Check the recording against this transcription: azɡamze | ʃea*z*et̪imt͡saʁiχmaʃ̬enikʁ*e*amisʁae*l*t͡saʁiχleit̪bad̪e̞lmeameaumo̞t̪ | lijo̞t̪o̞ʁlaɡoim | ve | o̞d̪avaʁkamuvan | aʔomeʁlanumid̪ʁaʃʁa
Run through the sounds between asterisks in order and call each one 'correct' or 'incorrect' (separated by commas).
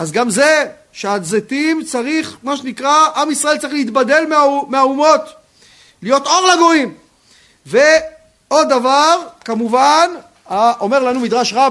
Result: correct, incorrect, correct